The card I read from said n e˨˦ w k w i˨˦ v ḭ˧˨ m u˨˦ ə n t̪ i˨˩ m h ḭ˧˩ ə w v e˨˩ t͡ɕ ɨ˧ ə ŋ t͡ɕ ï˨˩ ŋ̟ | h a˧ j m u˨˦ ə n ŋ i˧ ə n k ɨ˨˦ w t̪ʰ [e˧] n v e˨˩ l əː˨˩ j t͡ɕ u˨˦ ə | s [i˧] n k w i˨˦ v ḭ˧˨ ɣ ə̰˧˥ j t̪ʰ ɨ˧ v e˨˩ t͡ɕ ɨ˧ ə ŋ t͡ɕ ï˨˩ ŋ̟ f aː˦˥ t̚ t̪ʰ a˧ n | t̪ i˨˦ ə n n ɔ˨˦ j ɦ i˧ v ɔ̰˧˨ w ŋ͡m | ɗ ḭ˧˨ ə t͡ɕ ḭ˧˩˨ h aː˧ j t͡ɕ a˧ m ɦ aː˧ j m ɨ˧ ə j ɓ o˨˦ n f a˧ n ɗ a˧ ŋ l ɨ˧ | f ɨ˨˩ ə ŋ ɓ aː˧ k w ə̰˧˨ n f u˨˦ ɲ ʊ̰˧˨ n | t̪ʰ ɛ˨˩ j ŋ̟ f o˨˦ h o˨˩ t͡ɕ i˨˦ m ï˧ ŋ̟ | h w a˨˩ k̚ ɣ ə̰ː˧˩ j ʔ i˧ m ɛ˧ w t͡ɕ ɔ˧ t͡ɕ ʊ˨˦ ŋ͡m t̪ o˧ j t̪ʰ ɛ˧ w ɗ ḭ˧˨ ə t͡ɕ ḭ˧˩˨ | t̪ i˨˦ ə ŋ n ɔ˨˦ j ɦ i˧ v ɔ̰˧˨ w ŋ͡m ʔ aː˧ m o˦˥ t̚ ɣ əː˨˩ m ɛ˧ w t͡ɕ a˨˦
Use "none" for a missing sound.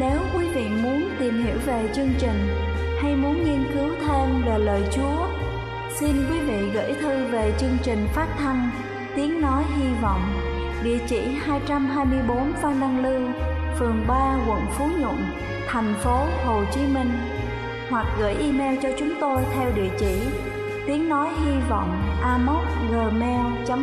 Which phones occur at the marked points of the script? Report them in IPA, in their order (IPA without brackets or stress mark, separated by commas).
e˧, i˧